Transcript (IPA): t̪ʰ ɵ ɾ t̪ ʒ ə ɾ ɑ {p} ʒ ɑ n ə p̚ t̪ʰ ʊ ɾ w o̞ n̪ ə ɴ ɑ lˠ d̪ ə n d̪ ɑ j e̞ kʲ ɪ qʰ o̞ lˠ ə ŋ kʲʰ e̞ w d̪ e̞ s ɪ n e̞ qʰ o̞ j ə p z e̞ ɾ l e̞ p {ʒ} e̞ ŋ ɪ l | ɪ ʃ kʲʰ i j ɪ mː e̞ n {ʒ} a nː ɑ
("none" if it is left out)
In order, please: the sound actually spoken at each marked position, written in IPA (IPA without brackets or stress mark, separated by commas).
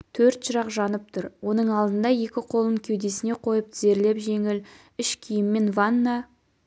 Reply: q, ʒ, v